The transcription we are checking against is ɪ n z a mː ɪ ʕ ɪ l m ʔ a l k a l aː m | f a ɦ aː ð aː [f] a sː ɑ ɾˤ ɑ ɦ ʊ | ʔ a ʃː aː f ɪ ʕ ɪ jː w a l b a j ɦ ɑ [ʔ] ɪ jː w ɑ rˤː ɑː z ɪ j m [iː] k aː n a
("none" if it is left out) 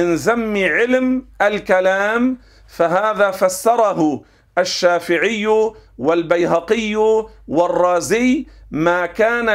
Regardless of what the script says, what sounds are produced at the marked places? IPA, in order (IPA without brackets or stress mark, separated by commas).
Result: f, q, aː